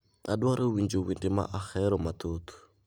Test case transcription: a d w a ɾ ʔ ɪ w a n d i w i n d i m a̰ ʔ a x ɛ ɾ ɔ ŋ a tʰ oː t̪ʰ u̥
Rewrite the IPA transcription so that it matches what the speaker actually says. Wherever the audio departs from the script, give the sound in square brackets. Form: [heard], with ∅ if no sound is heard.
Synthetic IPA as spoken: a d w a ɾ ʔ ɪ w [i] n [d͡ʒ] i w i n d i m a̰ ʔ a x ɛ ɾ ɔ [m] a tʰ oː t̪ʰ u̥